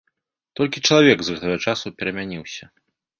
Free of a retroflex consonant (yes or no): no